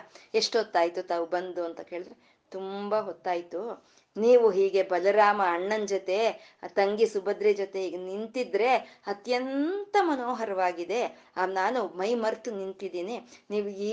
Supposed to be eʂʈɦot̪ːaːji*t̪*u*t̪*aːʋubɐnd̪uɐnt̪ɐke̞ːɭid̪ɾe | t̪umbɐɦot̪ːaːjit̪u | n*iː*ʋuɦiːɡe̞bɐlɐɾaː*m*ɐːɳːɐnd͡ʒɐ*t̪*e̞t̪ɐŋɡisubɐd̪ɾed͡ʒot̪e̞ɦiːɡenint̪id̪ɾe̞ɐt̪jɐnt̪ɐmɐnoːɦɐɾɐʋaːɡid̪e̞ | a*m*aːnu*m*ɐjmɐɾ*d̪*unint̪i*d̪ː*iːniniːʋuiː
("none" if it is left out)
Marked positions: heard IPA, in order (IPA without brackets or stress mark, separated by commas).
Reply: t̪, t̪, iː, m, t̪, n, m, t̪, d̪